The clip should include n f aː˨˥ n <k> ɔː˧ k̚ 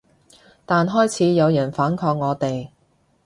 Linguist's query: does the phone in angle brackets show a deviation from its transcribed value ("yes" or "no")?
yes